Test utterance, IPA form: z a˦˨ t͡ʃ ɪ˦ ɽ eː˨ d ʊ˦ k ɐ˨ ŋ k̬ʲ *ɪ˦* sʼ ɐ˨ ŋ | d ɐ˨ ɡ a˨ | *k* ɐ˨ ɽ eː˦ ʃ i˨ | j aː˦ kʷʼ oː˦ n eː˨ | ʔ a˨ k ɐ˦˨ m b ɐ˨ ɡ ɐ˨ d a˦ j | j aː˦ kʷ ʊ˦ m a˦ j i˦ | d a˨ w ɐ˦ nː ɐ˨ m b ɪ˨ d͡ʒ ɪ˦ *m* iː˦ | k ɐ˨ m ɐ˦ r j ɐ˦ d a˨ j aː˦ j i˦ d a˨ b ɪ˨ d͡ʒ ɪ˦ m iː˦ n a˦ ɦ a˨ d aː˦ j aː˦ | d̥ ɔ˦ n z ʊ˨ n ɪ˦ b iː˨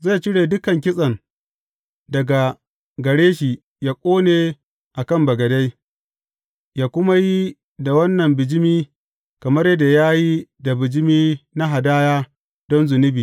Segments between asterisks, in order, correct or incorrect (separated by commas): correct, incorrect, correct